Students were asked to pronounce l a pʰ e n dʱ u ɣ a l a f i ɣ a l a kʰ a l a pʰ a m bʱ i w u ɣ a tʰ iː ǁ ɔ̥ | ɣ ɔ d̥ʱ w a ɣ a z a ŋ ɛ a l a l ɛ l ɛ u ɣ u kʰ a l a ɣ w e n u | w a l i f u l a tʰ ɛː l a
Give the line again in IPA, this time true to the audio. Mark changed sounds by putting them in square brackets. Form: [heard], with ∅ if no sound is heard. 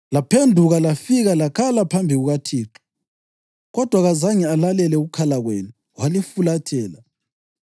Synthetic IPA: l a pʰ e n dʱ u ɣ a l a f i ɣ a l a kʰ a l a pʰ a m bʱ i [ɣ] u ɣ a tʰ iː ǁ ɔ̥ | ɣ ɔ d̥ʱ w a ɣ a z a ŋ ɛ a l a l ɛ l ɛ u ɣ u kʰ a l a ɣ w e n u | w a l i f u l a tʰ ɛː l a